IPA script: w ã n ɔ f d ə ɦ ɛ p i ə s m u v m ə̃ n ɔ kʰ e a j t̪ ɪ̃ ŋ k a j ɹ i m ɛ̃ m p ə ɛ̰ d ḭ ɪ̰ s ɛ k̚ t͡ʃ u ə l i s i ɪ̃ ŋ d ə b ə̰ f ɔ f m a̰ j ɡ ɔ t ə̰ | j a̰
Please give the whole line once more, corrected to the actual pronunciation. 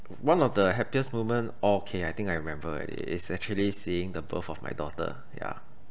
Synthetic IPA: w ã n ɔ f d ə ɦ ɛ p i ə s m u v m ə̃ n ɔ kʰ e a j t̪ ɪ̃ ŋ k a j ɹ i m ɛ̃ m b ə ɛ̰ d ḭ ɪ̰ s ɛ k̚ t͡ʃ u ə l i s i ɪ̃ ŋ d ə b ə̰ f ɔ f m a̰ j d ɔ t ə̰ | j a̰